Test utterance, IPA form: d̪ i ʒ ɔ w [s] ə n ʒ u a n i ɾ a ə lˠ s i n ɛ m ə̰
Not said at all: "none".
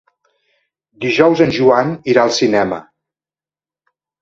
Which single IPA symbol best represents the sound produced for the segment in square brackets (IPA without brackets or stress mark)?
z